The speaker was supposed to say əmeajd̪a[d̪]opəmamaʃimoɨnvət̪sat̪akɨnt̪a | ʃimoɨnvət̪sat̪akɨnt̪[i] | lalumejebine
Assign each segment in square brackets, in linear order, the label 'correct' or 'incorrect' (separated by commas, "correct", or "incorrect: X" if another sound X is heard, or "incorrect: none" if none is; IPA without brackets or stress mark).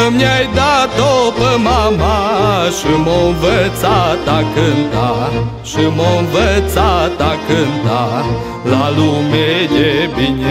incorrect: t̪, incorrect: a